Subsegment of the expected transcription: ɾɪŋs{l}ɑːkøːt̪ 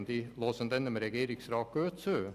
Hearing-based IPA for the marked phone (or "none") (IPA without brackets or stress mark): ɾ